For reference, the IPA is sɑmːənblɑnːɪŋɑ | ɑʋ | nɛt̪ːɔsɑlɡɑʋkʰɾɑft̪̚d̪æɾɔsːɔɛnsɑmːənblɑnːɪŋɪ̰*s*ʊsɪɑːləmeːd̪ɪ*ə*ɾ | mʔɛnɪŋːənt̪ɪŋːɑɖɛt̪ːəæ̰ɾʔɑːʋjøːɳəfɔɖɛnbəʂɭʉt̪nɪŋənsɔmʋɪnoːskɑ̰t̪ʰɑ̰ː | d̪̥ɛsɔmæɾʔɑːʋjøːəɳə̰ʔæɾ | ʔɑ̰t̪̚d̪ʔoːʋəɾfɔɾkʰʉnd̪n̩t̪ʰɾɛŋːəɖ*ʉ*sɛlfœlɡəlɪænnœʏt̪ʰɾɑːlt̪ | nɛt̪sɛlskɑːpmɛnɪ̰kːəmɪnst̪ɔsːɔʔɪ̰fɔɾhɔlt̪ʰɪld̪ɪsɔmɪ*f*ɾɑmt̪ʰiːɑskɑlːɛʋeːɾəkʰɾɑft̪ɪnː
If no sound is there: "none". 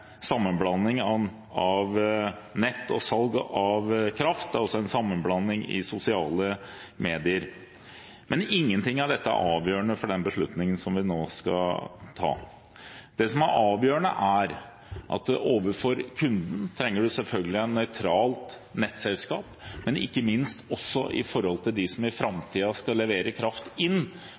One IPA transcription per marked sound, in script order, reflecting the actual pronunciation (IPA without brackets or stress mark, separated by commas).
s, ə, ʉ, f